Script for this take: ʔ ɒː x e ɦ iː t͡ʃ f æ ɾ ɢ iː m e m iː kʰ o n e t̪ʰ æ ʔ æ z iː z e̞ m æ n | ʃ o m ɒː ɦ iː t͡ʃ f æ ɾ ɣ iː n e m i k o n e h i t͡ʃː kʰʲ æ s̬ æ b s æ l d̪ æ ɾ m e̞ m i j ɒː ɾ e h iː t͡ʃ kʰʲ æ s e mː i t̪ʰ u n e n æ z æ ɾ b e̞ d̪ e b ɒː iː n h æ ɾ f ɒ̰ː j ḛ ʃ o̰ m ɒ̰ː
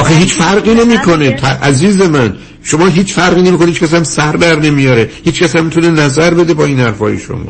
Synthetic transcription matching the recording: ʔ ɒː x e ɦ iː t͡ʃ f æ ɾ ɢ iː n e m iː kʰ o n e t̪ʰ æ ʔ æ z iː z e̞ m æ n | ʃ o m ɒː ɦ iː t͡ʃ f æ ɾ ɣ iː n e m i k o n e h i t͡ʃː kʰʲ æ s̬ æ m s æ ɾ d̪ æ ɾ n e̞ m i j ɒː ɾ e h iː t͡ʃ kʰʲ æ s æ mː i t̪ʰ u n e n æ z æ ɾ b e̞ d̪ e b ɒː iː n h æ ɾ f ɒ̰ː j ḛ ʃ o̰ m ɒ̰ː